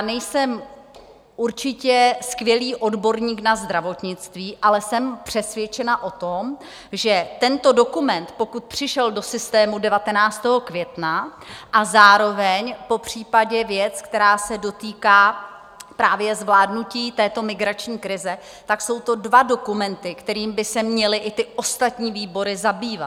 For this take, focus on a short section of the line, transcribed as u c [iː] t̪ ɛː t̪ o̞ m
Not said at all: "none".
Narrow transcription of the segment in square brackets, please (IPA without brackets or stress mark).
iː